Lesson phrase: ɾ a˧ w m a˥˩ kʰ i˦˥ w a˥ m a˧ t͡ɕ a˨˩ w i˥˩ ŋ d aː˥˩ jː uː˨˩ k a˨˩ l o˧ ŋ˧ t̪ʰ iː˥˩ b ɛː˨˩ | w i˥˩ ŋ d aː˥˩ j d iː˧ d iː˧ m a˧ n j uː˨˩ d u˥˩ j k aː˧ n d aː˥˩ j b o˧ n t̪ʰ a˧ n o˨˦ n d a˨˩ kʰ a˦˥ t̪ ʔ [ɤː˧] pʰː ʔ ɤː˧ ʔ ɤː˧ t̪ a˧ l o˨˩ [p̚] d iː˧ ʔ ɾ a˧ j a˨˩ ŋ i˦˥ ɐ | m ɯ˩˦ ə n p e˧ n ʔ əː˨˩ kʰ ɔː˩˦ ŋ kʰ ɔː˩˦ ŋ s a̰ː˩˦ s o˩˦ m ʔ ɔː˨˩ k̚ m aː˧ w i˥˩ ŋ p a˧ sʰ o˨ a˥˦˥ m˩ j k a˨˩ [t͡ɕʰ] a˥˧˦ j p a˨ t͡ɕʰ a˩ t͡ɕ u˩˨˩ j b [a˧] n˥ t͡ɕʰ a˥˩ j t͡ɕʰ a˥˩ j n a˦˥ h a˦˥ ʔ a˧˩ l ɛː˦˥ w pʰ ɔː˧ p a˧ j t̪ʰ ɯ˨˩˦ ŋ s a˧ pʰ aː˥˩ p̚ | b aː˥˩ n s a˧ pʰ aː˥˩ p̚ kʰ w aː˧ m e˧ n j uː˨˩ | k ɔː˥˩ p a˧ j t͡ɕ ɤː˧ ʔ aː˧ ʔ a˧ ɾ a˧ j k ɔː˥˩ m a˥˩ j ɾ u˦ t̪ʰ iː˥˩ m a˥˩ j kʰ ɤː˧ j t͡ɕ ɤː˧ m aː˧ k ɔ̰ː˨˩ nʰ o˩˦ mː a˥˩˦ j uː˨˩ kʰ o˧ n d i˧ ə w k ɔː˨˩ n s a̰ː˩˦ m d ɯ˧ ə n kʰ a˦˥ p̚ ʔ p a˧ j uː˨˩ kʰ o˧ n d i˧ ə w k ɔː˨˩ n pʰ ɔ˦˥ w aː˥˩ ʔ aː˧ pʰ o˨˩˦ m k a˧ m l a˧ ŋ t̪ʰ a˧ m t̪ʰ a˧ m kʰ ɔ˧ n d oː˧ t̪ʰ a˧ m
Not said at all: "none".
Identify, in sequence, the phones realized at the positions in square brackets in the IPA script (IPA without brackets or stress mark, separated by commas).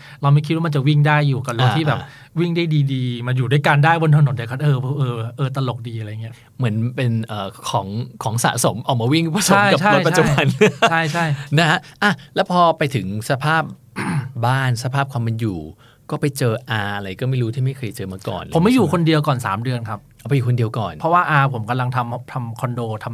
ɤː˧, k̚, t͡ɕʰ, a˧